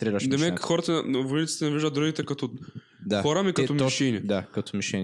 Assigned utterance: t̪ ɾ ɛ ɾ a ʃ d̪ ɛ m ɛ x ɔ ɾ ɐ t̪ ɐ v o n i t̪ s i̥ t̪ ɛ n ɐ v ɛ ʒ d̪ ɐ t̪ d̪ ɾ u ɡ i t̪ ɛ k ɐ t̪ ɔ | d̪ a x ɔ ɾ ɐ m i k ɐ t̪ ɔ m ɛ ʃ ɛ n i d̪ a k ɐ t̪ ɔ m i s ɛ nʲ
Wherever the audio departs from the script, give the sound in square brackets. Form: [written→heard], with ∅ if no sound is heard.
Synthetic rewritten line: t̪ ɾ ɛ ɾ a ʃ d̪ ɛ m ɛ x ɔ ɾ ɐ t̪ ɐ v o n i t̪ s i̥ t̪ ɛ n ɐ v [ɛ→i] ʒ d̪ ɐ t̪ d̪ ɾ u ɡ i t̪ ɛ k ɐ t̪ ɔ | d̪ a x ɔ ɾ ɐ m i k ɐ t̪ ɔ m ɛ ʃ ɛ n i d̪ a k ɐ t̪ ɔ m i [s→ʃ] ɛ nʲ